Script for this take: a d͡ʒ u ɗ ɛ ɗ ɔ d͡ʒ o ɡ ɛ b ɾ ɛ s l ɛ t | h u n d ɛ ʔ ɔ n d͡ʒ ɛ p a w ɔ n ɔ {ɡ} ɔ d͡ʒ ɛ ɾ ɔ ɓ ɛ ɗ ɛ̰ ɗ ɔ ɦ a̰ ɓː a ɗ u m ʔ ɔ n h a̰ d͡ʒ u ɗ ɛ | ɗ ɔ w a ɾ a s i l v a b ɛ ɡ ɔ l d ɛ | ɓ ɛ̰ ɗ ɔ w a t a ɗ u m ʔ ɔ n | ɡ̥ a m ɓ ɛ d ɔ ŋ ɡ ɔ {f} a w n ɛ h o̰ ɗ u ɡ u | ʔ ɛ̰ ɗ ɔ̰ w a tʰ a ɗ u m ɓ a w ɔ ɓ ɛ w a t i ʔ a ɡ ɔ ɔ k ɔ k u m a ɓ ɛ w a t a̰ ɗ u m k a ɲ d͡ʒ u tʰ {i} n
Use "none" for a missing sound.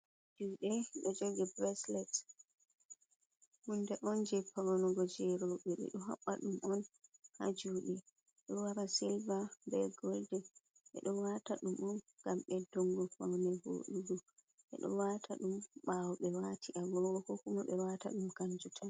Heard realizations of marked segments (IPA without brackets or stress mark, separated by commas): ɡ, f, a